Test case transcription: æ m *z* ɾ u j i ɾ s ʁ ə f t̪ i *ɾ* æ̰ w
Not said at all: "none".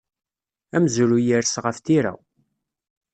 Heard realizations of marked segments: z, ɾ

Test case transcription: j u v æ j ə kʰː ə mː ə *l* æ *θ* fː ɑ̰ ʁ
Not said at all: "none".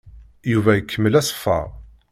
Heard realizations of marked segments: l, s

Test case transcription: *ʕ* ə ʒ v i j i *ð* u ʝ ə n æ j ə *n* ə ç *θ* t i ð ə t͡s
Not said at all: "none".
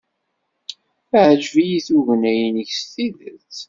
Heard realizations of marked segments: ʕ, θ, n, s

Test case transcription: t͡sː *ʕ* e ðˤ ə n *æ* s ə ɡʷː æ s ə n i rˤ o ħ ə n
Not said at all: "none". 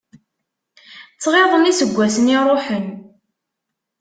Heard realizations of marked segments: ʁ, i

